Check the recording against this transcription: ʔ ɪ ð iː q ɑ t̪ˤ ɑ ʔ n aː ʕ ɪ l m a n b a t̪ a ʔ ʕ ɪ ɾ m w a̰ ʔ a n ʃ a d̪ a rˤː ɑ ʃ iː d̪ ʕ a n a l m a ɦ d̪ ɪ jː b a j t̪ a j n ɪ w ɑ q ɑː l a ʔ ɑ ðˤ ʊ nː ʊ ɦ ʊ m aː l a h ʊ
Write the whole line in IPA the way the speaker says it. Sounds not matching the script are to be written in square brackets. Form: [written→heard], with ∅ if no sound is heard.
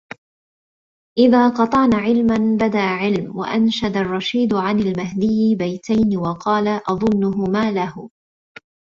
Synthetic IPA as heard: ʔ ɪ ð [iː→aː] q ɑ t̪ˤ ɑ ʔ n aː ʕ ɪ l m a n b a [t̪→d̪] a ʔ ʕ ɪ [ɾ→l] m w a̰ ʔ a n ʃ a d̪ a rˤː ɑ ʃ iː d̪ ʕ a n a l m a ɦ d̪ ɪ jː b a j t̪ a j n ɪ w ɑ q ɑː l a ʔ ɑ ðˤ ʊ nː ʊ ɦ ʊ m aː l a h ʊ